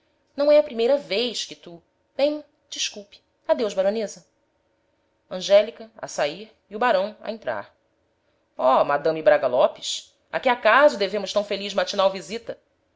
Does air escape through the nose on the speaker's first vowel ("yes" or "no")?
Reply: yes